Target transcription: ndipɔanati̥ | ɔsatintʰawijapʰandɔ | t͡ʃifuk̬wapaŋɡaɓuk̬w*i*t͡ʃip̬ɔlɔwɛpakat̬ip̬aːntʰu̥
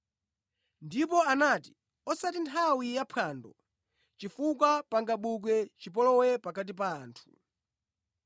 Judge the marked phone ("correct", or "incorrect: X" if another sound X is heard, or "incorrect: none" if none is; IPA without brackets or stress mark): incorrect: ɛ